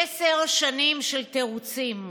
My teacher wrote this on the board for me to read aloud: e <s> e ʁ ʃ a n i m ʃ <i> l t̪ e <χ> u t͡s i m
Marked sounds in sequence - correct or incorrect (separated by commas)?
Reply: correct, incorrect, incorrect